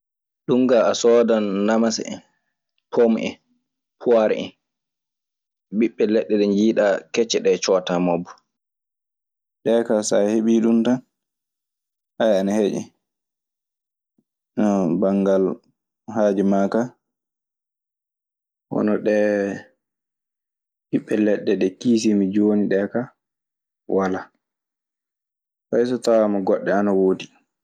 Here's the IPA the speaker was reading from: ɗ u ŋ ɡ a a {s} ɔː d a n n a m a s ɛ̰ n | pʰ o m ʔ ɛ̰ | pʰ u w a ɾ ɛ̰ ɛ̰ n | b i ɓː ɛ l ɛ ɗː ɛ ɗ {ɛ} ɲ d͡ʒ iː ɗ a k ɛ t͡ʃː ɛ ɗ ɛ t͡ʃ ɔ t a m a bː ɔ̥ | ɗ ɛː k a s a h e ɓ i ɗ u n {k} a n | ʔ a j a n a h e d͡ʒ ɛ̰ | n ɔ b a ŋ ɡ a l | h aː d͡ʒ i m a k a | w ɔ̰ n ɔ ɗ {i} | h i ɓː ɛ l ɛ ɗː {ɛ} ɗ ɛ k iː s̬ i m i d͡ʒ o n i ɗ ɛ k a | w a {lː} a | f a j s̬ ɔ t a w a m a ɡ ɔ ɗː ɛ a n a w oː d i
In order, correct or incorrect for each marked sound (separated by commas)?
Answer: correct, correct, incorrect, incorrect, correct, incorrect